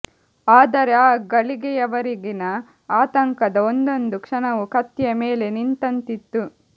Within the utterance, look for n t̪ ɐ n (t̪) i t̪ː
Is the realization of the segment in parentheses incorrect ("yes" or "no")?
no